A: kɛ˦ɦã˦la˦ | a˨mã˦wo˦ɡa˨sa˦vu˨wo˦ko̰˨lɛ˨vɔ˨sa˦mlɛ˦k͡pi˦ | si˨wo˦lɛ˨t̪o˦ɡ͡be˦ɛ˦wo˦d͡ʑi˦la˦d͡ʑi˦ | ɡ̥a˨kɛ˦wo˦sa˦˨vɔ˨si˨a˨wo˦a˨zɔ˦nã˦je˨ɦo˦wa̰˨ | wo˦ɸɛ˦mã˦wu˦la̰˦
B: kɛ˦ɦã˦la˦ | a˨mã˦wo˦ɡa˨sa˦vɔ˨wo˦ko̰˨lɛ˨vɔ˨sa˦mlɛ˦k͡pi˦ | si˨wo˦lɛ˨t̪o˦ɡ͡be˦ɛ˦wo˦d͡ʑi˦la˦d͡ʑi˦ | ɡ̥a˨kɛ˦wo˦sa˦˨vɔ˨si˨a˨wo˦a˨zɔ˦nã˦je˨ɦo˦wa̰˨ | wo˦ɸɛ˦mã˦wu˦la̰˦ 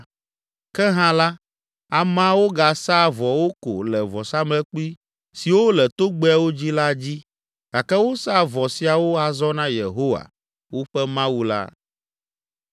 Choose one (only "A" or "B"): B